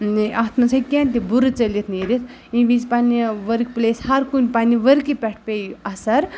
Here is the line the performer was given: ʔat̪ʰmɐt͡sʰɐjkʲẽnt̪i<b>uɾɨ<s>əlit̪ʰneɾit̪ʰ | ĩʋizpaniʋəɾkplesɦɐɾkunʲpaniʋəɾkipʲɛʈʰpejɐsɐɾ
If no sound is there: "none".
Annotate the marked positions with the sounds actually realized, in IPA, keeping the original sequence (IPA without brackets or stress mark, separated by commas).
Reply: b, t͡s